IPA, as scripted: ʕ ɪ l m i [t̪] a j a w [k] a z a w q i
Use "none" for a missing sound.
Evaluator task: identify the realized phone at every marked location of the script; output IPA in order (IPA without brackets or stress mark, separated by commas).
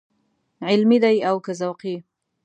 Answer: d̪, k